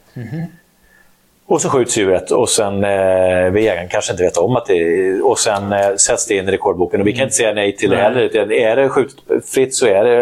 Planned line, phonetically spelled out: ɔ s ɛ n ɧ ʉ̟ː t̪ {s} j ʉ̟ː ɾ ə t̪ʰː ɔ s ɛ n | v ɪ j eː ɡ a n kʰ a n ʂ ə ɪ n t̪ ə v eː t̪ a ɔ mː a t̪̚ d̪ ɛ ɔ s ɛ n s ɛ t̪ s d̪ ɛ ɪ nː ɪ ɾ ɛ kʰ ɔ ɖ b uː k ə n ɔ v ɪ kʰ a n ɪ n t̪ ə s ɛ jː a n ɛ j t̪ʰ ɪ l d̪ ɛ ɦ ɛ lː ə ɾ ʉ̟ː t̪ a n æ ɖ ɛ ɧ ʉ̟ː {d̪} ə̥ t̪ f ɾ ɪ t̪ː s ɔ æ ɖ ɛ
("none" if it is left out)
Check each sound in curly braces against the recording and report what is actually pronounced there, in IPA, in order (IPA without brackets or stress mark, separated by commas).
s, t̪